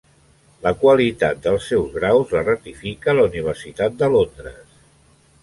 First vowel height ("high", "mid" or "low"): mid